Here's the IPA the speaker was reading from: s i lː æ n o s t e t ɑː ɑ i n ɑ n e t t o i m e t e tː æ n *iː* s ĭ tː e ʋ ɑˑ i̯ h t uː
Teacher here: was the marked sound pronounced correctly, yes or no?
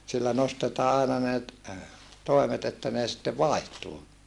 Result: no